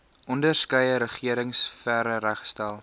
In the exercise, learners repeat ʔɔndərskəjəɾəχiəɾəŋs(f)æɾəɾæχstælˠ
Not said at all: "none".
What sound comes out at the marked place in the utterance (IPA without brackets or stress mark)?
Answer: f